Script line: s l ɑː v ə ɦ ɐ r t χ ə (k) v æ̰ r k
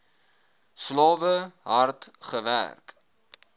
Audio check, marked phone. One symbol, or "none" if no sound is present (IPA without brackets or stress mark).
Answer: none